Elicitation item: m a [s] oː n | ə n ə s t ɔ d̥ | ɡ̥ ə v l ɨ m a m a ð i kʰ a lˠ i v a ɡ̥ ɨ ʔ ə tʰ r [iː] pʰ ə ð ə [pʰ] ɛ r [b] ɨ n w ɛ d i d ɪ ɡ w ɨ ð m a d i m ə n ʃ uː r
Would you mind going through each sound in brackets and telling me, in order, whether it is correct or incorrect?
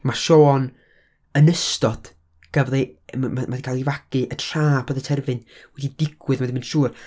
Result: incorrect, incorrect, incorrect, incorrect

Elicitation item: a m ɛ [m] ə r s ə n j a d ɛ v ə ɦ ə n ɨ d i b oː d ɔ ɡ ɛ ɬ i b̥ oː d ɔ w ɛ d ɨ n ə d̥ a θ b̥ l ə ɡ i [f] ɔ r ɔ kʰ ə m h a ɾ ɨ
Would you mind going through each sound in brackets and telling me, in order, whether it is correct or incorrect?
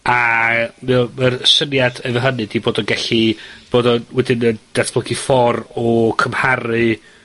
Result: correct, correct

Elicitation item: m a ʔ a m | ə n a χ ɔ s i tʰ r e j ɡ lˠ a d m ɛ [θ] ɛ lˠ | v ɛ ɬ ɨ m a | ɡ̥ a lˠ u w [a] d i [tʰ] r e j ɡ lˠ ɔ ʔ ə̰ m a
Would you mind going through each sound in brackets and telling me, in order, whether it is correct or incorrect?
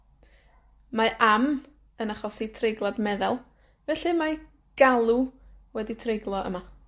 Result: incorrect, incorrect, correct

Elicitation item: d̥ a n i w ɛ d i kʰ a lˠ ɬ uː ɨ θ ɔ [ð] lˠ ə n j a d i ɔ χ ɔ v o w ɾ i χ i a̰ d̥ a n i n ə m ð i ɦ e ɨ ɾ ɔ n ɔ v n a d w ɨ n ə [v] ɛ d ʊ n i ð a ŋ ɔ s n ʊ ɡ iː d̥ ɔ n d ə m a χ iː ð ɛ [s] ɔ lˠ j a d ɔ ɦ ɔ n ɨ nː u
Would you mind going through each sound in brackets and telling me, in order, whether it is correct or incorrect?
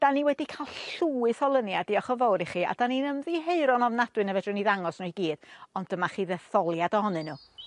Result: incorrect, correct, incorrect

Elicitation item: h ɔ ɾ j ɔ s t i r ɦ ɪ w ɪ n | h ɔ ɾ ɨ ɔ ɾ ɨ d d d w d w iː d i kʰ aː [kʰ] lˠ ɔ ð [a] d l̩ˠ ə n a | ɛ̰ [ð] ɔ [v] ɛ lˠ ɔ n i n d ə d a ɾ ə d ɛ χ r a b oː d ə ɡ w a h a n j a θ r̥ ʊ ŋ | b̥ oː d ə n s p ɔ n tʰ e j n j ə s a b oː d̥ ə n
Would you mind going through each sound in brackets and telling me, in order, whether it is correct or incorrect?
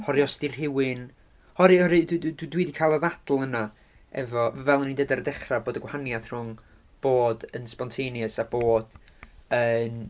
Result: incorrect, correct, incorrect, correct

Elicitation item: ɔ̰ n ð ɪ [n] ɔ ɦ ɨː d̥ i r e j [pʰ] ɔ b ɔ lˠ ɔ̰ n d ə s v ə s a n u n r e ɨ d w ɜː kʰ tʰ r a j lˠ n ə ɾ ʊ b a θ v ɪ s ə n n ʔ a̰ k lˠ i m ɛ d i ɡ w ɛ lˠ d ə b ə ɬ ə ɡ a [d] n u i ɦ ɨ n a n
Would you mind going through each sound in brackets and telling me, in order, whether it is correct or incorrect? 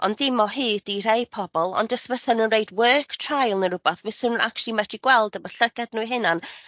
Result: incorrect, correct, correct

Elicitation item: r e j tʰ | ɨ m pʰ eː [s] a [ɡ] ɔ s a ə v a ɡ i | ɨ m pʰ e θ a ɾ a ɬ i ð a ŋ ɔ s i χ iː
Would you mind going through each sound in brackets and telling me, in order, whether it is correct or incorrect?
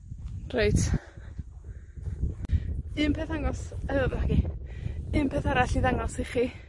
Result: incorrect, incorrect

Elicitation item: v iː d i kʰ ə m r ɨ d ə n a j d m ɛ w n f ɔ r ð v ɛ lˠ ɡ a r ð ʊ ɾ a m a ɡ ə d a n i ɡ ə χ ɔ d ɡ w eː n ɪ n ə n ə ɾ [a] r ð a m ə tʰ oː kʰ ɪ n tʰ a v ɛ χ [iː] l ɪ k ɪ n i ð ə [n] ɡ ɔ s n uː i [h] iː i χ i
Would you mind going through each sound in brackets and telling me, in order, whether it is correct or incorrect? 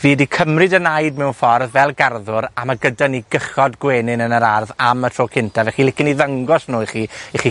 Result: correct, incorrect, incorrect, incorrect

